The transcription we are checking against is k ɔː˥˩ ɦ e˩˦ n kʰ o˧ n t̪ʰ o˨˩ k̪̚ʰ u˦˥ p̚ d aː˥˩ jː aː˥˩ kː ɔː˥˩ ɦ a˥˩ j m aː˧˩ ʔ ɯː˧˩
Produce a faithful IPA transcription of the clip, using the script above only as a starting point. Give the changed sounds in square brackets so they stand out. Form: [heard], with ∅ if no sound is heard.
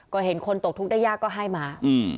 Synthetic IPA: k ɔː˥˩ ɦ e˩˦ n kʰ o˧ n [t̪] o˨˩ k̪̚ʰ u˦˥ [k̚] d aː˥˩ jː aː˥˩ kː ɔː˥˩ ɦ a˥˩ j m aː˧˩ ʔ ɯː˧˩